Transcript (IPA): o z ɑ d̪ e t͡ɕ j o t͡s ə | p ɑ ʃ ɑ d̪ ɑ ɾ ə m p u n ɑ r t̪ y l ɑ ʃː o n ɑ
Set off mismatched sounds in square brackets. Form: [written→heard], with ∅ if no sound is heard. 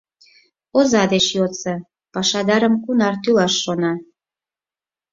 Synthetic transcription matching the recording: o z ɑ d̪ e t͡ɕ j o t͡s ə | p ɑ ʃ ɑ d̪ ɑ ɾ ə m [p→k] u n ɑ r t̪ y l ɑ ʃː o n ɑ